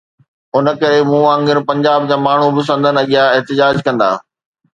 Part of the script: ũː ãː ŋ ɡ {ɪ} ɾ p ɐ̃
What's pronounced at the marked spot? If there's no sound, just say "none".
ɪ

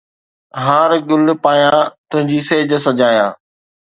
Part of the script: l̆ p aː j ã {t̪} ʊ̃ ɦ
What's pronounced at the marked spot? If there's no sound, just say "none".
t̪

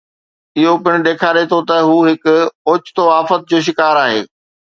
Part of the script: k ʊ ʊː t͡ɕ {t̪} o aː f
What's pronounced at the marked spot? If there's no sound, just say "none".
t̪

